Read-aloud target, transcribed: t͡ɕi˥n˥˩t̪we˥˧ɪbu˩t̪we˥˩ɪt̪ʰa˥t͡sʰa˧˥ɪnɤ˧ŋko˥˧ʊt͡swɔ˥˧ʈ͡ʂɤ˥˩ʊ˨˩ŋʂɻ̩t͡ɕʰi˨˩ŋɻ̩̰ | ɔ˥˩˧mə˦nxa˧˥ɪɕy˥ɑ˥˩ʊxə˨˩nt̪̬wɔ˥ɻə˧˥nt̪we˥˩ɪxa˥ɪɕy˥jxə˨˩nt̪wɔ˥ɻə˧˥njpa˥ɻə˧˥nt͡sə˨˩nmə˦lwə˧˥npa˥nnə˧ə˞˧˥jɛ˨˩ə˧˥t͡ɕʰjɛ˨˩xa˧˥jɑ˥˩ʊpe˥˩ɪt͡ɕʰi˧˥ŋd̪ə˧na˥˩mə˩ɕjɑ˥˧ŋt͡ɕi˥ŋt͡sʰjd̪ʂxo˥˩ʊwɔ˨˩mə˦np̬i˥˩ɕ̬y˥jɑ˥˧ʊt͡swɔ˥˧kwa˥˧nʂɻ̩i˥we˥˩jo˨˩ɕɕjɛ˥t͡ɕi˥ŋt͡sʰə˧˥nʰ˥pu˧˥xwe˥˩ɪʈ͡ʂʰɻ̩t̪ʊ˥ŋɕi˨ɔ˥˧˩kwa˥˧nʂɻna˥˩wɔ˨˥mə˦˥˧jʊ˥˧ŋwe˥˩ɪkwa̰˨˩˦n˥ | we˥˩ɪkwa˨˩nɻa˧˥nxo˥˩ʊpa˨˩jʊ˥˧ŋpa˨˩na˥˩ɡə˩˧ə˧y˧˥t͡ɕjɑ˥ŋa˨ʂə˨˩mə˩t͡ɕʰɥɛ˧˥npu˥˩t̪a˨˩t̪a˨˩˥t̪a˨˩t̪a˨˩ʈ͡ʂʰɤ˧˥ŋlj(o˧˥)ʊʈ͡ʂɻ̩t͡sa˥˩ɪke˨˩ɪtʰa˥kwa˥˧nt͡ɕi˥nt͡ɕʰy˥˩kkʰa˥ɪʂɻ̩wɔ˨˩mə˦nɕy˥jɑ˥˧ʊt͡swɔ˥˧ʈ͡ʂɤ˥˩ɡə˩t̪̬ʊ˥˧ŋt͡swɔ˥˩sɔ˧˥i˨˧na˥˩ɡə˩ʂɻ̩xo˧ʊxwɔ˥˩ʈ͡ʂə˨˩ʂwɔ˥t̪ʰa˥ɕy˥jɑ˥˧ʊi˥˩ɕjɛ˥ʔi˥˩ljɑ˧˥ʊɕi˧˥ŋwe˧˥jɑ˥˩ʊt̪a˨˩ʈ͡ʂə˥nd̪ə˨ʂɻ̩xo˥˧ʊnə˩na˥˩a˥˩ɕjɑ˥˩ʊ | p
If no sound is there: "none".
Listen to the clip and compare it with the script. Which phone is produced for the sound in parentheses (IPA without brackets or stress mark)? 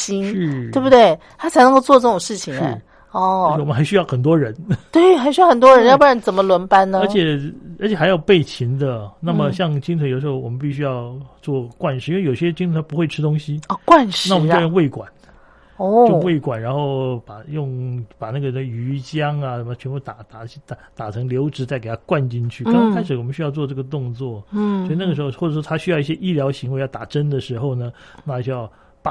o˧˥